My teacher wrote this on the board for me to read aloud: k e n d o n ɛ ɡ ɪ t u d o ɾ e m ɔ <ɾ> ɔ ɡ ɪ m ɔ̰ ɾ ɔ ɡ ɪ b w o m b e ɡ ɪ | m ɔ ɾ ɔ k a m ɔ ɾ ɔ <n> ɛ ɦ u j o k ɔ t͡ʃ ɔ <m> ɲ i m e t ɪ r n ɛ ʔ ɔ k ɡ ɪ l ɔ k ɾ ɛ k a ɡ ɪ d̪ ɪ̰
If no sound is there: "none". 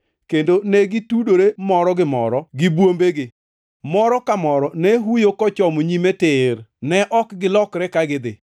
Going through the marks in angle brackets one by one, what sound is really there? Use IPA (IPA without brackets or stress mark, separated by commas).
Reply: ɾ, n, m